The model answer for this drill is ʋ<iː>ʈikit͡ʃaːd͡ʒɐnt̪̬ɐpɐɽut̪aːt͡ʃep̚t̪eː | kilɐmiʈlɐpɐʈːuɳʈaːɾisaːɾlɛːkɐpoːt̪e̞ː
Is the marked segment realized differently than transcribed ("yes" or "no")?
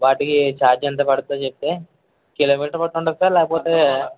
yes